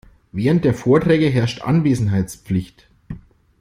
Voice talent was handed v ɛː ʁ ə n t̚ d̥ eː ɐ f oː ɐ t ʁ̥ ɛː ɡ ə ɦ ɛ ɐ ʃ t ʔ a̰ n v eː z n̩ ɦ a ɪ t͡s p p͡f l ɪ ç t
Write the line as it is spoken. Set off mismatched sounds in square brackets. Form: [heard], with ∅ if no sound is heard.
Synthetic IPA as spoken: v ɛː ʁ ə n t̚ d̥ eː ɐ f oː ɐ t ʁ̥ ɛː ɡ ə ɦ ɛ ɐ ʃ t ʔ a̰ n v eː z n̩ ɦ a ɪ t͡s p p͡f l ɪ ç t